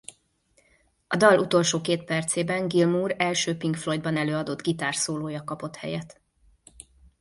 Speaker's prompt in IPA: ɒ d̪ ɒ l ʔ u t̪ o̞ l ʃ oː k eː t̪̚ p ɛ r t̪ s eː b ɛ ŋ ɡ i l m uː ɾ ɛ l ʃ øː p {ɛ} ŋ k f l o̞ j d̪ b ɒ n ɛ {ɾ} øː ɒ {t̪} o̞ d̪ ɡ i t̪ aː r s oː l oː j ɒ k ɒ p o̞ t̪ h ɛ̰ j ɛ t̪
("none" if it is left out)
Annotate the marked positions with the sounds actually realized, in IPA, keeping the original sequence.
i, l, d̪

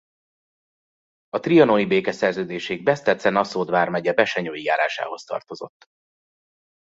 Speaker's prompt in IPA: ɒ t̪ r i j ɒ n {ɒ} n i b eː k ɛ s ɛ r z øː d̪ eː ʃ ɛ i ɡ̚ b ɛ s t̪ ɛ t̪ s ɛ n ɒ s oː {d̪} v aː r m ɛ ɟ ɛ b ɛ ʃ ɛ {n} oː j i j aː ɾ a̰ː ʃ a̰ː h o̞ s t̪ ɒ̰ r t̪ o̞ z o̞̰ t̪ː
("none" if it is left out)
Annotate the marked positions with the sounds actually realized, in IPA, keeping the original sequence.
o, d̪, ɲ

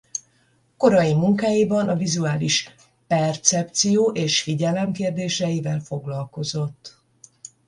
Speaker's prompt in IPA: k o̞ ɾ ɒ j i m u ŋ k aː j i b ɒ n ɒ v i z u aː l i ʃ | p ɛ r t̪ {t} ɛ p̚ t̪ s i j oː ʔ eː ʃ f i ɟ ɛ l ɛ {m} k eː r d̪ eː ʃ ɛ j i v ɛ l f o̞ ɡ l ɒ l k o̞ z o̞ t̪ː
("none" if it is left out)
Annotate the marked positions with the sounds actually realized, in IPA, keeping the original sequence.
s, m

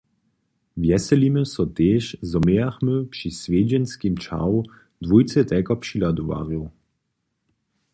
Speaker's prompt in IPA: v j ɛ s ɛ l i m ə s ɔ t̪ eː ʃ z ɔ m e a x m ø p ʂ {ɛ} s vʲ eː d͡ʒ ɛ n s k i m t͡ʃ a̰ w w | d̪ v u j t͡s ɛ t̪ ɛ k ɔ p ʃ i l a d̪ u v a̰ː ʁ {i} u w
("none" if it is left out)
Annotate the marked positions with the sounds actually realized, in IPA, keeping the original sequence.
i, j

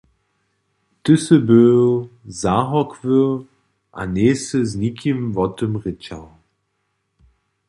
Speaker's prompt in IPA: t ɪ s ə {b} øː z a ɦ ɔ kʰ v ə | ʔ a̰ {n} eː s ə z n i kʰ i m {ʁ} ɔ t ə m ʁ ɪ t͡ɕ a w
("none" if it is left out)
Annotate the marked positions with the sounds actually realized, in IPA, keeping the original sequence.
b, n, v

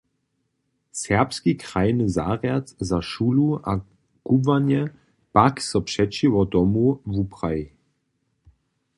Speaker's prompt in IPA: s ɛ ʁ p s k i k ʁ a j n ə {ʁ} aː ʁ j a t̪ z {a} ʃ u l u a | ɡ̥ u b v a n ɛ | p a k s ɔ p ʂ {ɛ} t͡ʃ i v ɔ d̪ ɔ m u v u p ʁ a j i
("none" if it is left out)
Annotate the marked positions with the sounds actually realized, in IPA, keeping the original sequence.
z, a, ɛ

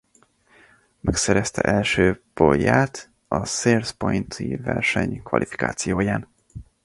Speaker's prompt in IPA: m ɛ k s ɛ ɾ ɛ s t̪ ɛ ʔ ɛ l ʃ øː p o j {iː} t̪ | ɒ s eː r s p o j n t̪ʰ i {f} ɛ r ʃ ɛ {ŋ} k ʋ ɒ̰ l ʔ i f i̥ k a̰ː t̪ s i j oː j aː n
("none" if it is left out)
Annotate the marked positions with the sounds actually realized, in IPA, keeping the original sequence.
aː, v, ɲ

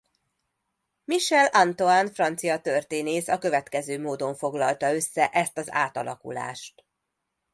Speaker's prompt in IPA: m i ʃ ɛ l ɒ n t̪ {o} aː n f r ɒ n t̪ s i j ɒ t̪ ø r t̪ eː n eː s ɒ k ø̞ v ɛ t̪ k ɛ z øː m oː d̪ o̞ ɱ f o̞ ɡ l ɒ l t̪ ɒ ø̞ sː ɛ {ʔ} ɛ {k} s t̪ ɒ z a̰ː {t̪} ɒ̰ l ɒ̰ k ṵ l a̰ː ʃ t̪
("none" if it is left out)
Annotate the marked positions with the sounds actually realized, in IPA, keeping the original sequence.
o, ʔ, none, t̪

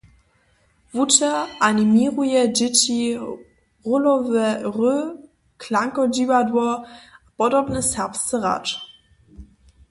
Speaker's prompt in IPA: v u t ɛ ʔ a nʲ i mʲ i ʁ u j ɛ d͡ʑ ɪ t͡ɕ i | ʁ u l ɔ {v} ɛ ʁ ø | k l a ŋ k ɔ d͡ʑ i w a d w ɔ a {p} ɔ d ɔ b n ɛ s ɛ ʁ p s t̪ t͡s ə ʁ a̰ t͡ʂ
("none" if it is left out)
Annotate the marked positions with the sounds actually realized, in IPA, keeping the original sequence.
v, p

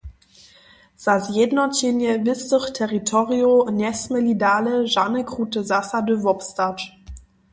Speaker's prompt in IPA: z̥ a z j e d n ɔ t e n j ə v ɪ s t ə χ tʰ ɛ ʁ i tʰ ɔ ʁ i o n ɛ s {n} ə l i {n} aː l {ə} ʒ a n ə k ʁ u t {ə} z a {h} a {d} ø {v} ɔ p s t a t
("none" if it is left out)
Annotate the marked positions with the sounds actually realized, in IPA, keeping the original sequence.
m, d, ə, ə, s, d, v

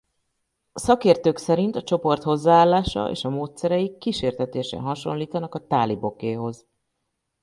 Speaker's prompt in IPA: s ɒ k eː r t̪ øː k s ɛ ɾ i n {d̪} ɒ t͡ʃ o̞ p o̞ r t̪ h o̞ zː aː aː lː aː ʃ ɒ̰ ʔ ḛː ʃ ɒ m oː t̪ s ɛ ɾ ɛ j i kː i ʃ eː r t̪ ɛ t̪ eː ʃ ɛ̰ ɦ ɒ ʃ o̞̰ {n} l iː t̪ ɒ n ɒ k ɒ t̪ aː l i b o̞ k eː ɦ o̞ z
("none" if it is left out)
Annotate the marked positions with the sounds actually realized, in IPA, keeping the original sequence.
t̪, n

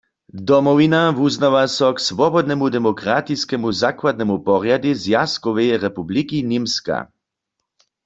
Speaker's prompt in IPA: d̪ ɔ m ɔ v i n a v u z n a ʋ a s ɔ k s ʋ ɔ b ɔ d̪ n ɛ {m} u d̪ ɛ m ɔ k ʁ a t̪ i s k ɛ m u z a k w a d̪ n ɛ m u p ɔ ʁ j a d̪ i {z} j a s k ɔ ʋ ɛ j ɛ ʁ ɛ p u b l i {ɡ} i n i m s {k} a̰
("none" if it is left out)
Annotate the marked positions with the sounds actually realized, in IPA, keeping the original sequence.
m, z, k, k

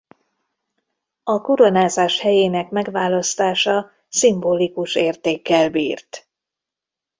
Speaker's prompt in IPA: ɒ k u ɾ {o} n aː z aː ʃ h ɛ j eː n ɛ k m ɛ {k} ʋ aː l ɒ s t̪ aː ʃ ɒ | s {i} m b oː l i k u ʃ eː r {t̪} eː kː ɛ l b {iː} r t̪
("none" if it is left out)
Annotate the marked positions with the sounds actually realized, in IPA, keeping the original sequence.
o, ɡ, i, t̪, iː

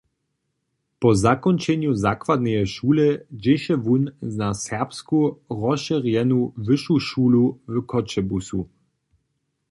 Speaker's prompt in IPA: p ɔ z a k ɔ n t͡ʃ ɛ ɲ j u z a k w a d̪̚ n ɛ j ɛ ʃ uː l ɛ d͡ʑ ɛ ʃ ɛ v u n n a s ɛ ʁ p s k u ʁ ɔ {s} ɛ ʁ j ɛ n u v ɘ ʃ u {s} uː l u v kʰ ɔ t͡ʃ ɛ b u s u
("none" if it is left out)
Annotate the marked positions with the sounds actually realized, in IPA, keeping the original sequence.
ʃ, ʃ

